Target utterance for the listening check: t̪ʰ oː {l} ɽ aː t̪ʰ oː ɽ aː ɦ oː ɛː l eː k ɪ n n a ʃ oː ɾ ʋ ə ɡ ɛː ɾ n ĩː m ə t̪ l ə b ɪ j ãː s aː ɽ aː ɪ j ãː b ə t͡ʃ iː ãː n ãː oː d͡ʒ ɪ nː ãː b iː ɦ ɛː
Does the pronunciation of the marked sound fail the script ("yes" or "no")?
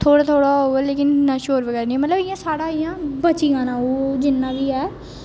yes